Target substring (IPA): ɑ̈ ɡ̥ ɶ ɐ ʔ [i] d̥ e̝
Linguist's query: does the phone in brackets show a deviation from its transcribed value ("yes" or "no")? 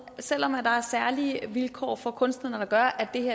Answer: yes